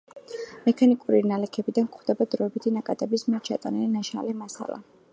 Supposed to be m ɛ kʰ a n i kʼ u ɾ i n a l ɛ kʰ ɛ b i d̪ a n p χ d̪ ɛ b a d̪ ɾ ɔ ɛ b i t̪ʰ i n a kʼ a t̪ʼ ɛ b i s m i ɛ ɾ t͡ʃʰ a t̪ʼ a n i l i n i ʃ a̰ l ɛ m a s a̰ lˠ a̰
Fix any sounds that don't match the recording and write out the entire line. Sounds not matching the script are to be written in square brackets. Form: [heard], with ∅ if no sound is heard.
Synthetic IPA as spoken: m ɛ kʰ a n i kʼ u ɾ i n a l ɛ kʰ ɛ b i d̪ a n [k] χ d̪ ɛ b a d̪ ɾ ɔ ɛ b i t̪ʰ i n a kʼ a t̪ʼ ɛ b i s m i ɛ ɾ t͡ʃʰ a t̪ʼ a n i l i n [a] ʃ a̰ l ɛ m a s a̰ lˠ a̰